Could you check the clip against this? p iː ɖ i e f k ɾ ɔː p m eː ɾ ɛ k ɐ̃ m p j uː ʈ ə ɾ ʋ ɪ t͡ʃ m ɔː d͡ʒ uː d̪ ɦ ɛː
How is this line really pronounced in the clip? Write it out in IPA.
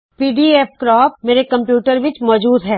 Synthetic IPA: p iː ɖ i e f k ɾ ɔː p m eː ɾ e k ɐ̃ m p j uː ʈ ə ɾ ʋ ɪ t͡ʃ m ɔː d͡ʒ uː d̪ ɦ ɛː